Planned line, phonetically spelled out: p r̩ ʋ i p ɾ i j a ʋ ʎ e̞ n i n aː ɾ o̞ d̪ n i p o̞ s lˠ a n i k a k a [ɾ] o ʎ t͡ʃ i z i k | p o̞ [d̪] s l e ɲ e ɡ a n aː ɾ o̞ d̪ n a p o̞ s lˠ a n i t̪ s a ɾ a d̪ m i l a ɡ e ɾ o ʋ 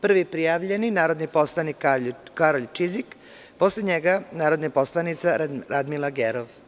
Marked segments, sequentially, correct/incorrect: correct, incorrect: none

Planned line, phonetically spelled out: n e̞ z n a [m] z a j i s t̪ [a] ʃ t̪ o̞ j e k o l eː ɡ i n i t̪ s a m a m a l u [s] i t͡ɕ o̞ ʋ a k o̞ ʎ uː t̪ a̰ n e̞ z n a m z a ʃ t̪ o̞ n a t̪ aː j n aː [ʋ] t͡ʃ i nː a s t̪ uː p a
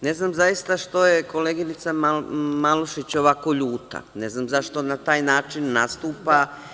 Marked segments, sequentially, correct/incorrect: correct, correct, incorrect: ʃ, incorrect: none

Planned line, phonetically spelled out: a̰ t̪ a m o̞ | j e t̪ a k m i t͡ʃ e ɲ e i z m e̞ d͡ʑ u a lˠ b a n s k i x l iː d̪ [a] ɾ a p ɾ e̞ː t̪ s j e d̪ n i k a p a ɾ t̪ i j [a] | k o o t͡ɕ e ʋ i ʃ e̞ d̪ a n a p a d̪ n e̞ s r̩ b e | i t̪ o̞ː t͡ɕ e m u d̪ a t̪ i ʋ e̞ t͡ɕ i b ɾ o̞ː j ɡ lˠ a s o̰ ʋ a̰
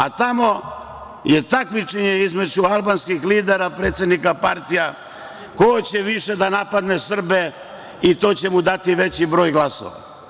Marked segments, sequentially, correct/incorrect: incorrect: e, correct

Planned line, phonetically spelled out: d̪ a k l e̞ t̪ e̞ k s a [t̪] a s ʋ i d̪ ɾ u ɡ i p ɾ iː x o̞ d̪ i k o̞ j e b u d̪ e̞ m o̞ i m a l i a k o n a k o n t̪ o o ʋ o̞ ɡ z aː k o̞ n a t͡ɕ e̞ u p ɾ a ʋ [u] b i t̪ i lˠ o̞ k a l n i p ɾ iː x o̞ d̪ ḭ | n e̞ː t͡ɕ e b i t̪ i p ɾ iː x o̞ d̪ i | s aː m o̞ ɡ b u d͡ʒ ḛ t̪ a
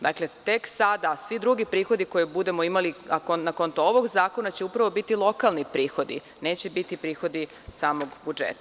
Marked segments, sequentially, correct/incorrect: incorrect: d̪, incorrect: o

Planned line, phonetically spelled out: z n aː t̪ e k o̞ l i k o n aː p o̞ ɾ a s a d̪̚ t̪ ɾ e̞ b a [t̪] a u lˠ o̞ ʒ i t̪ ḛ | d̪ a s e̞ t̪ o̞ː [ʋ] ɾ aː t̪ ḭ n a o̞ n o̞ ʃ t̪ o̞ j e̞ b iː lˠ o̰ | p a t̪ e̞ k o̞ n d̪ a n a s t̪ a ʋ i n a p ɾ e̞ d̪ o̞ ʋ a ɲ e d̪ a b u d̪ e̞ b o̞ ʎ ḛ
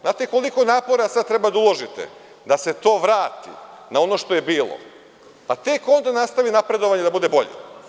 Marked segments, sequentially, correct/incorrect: incorrect: d̪, correct

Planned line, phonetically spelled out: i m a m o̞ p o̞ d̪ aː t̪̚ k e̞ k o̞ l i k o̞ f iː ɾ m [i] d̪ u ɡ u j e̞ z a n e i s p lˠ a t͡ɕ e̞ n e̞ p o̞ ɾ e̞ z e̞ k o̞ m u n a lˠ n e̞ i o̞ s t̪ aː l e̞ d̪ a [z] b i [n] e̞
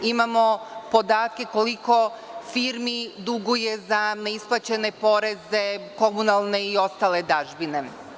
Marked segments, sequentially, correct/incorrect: correct, incorrect: ʒ, correct

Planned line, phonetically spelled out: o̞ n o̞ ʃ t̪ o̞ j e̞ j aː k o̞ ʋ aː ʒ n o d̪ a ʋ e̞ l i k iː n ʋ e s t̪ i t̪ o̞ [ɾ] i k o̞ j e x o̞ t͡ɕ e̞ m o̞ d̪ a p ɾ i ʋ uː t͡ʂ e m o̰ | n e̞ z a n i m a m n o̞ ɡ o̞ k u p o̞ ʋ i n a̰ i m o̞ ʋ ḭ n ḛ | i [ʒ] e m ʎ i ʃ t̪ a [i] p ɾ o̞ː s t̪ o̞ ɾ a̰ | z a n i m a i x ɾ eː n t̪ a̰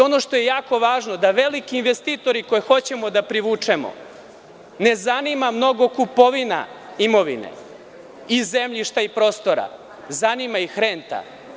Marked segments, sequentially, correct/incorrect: correct, incorrect: z, correct

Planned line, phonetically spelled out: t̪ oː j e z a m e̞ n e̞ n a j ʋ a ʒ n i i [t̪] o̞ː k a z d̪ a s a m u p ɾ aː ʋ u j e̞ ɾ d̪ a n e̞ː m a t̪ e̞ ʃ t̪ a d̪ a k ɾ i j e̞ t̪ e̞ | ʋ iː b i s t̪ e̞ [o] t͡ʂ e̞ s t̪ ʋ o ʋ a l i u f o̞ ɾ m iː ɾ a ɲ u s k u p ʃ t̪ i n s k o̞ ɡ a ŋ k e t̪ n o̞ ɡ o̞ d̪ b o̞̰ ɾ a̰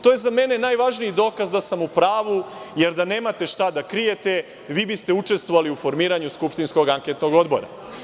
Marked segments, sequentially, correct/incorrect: incorrect: d̪, incorrect: u

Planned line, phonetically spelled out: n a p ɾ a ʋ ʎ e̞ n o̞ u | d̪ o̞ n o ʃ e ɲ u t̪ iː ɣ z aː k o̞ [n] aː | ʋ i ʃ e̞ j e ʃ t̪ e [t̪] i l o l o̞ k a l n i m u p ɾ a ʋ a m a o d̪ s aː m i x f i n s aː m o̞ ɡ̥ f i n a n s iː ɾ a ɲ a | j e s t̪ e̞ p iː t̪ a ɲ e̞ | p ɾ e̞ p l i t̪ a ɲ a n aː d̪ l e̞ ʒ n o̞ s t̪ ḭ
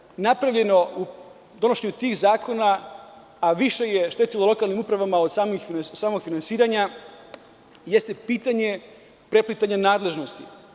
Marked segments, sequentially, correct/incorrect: correct, correct

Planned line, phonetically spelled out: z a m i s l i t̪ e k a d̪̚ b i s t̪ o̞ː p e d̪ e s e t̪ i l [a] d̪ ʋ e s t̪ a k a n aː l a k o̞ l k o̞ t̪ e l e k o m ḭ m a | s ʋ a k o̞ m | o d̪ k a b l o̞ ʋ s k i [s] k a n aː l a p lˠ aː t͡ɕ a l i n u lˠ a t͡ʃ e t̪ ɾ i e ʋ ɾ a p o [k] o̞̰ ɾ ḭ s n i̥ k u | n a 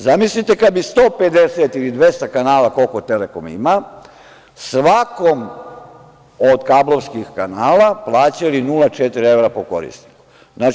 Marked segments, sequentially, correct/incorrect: incorrect: i, incorrect: x, correct

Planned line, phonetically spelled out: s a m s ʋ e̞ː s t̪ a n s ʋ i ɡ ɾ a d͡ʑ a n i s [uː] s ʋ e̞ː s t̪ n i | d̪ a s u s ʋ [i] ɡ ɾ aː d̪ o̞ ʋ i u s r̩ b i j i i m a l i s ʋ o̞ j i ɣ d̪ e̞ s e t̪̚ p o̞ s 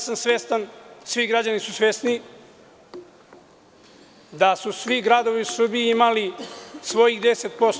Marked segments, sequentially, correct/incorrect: incorrect: u, correct

